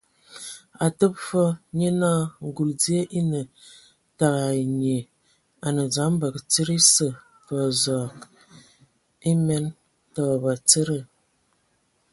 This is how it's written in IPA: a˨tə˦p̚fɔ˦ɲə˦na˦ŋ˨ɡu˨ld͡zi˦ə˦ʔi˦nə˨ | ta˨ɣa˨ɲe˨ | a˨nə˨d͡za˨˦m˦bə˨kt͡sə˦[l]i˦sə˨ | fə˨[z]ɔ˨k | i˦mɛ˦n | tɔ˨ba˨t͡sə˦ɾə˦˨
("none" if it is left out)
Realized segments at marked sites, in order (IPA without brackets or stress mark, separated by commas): ɾ, z